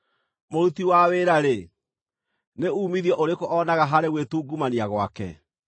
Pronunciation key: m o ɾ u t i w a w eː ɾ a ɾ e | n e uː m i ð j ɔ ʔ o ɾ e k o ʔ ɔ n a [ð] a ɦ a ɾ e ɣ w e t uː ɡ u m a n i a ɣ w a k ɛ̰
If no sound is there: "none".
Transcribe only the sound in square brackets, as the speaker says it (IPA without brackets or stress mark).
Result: ɣ